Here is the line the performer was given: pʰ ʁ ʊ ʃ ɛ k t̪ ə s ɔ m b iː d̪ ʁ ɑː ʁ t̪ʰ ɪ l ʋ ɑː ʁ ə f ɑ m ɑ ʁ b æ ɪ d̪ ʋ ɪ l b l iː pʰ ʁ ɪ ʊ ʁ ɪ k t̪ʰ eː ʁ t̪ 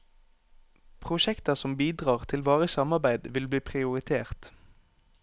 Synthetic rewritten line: pʰ ʁ ʊ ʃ ɛ k t̪ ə s ɔ m b iː d̪ ʁ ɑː ʁ t̪ʰ ɪ l ʋ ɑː ʁ ə s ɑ m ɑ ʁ b æ ɪ d̪ ʋ ɪ l b l iː pʰ ʁ ɪ ʊ ʁ ɪ t̪ʰ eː ʁ t̪